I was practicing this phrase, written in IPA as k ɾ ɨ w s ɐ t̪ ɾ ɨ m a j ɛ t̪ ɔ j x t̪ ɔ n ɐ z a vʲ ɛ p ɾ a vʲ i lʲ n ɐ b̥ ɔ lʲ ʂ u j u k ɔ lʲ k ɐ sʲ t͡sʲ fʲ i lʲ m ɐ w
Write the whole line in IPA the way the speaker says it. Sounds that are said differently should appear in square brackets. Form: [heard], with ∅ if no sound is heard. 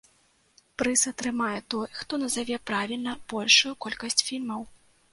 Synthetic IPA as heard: [p] ɾ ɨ [∅] s ɐ t̪ ɾ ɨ m a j ɛ t̪ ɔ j x t̪ ɔ n ɐ z a vʲ ɛ p ɾ a vʲ i lʲ n ɐ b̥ ɔ lʲ ʂ u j u k ɔ lʲ k ɐ sʲ t͡sʲ fʲ i lʲ m ɐ w